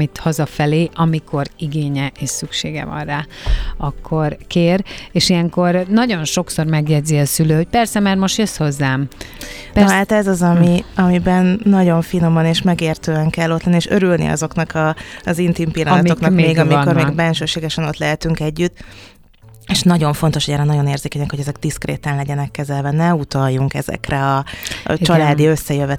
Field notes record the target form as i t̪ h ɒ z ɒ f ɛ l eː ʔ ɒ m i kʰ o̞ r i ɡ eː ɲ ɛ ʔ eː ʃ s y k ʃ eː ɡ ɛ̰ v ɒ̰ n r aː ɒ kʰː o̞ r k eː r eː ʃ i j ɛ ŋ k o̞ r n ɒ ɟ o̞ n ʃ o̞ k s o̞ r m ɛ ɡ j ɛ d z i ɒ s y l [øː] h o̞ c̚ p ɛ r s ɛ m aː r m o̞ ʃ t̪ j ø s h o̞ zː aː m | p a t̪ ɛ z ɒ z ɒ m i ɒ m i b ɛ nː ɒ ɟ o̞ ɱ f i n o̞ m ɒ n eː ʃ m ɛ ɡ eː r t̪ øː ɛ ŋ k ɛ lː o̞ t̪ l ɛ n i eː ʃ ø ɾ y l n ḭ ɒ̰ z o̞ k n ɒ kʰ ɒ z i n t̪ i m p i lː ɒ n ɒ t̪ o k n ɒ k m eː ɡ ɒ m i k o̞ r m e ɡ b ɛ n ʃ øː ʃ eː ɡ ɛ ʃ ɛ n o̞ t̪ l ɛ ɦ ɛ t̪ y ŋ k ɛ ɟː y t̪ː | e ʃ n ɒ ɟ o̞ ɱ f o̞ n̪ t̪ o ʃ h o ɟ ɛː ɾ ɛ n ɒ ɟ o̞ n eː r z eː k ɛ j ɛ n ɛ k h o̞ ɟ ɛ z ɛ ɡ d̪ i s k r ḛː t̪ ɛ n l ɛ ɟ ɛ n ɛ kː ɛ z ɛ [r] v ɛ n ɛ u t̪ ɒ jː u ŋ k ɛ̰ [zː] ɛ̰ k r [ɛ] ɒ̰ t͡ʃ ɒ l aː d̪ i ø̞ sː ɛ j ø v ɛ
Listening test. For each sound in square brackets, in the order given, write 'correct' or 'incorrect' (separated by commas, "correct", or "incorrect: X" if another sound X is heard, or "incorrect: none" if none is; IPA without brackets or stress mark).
correct, incorrect: l, incorrect: z, correct